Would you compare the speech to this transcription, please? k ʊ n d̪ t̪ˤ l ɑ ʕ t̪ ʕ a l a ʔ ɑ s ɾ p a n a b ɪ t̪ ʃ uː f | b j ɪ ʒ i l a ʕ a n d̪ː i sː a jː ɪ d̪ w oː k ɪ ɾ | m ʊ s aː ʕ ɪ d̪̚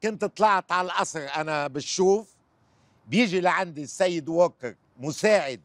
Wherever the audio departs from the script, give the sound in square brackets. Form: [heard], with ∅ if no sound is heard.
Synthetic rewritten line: k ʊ n [t̪] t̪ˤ l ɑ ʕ t̪ ʕ a l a ʔ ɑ s ɾ [ʔ] a n a b ɪ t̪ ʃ uː f | b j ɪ ʒ i l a ʕ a n [d̪] i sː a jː ɪ d̪ w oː k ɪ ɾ | m ʊ s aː ʕ ɪ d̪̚